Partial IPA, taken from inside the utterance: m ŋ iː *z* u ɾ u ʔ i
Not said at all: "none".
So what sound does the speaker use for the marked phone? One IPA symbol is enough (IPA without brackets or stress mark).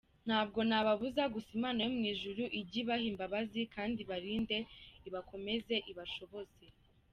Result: ʒ